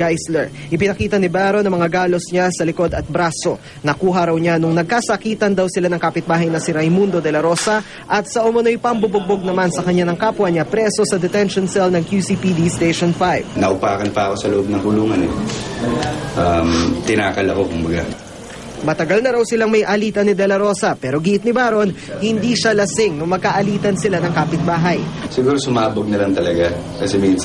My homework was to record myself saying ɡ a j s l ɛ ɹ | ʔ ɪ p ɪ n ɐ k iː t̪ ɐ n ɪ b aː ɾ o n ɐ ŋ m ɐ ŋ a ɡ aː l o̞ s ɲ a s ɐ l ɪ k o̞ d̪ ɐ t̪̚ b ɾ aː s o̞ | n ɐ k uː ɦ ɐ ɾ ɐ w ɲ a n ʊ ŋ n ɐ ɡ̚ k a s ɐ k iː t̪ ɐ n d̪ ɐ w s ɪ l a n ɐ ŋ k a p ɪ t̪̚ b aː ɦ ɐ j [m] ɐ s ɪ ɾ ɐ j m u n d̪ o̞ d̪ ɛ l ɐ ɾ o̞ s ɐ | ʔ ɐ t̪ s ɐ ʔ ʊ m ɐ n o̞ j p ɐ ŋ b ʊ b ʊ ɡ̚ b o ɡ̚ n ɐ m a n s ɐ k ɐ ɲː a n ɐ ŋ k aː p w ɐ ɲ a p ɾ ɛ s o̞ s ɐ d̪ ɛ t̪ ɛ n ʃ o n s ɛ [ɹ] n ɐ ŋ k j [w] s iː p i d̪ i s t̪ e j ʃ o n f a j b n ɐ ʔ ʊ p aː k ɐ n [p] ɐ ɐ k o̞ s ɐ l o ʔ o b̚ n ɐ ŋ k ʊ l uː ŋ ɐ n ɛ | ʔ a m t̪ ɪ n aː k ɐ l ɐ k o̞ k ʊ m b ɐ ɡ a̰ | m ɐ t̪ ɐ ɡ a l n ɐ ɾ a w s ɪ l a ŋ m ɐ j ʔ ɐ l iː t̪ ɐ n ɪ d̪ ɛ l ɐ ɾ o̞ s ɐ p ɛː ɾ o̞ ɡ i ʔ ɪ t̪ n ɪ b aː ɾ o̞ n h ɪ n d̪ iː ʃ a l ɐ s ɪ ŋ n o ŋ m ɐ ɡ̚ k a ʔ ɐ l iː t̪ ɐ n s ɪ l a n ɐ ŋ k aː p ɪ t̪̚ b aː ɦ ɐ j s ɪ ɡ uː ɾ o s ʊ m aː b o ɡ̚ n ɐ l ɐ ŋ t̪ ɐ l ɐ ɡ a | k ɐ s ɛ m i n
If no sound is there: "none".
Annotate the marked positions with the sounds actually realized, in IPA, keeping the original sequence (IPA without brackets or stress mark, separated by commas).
n, l, u, p